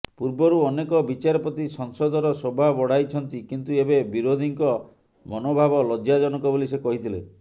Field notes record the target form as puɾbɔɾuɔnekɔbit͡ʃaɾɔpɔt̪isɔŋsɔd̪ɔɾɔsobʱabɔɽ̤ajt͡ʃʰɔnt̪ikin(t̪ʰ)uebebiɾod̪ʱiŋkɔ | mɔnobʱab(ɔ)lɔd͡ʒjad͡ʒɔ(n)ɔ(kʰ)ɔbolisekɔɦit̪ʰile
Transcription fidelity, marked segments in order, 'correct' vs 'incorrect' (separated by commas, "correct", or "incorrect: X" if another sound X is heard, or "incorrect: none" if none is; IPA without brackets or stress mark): incorrect: t̪, correct, correct, incorrect: k